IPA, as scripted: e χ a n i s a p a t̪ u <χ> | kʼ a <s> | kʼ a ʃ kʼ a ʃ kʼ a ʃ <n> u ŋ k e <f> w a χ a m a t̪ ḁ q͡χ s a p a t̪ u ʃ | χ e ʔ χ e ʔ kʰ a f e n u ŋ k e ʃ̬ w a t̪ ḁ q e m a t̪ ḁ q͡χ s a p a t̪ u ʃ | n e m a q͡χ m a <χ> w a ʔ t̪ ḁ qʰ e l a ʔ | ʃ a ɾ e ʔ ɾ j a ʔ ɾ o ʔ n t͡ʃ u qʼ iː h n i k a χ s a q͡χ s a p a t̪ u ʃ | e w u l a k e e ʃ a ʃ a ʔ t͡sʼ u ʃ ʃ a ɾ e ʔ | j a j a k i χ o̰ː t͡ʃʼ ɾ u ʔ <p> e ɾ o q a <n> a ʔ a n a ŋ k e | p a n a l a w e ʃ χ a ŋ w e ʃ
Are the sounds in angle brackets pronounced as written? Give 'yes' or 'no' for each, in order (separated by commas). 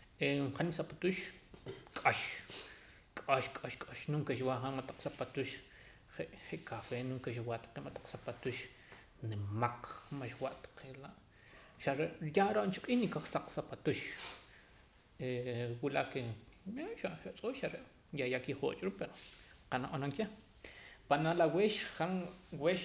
no, no, yes, no, no, yes, yes